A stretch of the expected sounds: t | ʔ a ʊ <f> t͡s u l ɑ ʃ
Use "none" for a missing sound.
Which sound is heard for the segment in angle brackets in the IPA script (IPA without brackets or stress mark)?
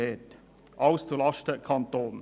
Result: s